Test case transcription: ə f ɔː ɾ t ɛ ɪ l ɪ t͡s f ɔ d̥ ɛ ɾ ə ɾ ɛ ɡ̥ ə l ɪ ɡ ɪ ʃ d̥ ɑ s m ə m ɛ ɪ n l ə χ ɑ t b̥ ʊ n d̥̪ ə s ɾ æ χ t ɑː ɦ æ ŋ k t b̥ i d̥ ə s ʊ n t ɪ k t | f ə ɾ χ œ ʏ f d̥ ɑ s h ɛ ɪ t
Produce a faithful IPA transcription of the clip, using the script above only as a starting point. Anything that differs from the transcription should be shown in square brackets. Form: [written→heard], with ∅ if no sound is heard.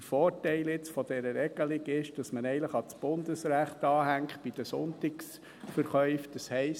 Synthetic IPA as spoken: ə f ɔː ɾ t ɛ ɪ l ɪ t͡s f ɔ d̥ ɛ ɾ ə ɾ ɛ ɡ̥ ə l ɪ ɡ ɪ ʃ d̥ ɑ s m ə [m→n] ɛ ɪ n l ə χ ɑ [t→t͡s] b̥ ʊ n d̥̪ ə s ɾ æ χ t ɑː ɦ æ ŋ k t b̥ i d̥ ə s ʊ n t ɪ k [t→s] | f ə ɾ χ œ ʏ f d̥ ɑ s h ɛ ɪ [t→s]